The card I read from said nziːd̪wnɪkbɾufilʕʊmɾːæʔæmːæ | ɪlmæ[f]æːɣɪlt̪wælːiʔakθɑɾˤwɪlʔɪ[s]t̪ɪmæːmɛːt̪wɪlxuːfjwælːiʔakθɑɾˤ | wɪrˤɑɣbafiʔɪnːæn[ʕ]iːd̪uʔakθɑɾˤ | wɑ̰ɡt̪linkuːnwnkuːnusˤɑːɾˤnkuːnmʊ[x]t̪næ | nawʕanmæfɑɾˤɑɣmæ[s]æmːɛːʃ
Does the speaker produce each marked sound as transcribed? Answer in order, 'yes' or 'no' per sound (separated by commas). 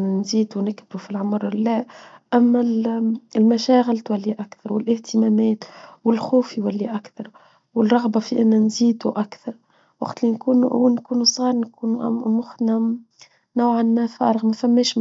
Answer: no, no, no, yes, no